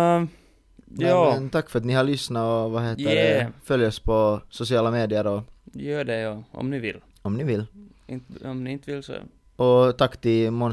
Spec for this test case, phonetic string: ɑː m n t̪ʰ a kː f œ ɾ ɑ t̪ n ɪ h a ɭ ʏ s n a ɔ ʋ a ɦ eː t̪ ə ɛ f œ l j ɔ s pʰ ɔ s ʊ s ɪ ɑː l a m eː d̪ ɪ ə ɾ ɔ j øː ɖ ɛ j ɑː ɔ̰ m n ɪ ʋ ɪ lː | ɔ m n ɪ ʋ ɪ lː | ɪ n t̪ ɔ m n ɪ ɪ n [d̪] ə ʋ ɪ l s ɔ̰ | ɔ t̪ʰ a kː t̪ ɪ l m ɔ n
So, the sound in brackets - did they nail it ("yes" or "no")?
no